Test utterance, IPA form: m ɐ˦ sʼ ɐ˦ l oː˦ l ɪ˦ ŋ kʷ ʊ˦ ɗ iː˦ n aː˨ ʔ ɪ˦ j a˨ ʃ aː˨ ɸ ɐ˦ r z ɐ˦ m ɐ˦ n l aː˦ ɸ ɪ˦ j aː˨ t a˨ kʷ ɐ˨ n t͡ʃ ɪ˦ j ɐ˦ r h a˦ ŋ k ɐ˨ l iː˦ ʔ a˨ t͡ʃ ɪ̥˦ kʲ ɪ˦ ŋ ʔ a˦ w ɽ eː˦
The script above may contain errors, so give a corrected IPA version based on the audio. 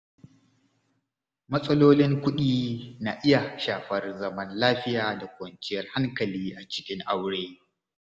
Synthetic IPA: m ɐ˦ sʼ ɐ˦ l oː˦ l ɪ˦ ŋ kʷ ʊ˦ ɗ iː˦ n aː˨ ʔ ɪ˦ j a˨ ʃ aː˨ ɸ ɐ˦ r z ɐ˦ m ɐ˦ n l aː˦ ɸ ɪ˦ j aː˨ d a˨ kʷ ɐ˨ n t͡ʃ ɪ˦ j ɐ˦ r h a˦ ŋ k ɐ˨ l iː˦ ʔ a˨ t͡ʃ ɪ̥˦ kʲ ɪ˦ ŋ ʔ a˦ w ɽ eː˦